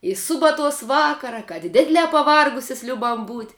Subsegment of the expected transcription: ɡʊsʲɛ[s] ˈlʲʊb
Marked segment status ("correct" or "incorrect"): correct